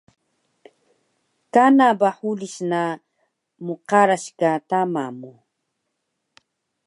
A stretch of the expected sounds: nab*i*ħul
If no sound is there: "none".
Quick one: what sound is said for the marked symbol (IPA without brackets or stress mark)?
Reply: a